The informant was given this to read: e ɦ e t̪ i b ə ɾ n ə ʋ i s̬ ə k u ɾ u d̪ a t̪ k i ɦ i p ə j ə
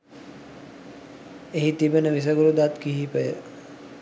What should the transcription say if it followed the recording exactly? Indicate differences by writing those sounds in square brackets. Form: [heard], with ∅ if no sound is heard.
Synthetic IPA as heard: e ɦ [i] t̪ i b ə [∅] n ə ʋ i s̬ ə [ɡ] u ɾ u d̪ a t̪ k i ɦ i p ə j ə

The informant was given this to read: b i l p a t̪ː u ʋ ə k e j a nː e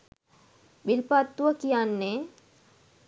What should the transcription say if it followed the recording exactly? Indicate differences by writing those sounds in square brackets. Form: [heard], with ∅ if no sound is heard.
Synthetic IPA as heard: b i l p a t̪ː u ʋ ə k [i] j a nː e

